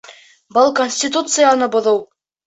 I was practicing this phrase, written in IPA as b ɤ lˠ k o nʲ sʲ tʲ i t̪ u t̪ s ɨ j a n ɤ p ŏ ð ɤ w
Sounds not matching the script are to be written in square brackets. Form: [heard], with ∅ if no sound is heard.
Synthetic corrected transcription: b ɤ lˠ k o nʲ sʲ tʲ i t̪ u t̪ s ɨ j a n ɤ [b] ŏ ð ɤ w